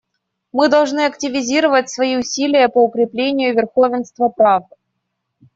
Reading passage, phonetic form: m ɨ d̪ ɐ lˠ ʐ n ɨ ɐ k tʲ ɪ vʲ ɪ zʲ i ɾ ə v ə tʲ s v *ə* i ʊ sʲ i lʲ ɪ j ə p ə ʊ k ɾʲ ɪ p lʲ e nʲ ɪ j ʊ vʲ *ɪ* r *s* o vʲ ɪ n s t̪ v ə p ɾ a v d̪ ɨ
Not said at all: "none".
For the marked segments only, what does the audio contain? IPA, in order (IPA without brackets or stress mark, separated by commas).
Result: ɐ, ɪ, x